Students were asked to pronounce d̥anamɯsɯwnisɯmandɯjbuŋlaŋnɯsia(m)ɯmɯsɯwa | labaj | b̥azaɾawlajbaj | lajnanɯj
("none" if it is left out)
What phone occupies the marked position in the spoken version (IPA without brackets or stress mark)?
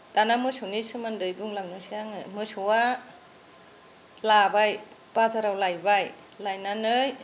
ŋ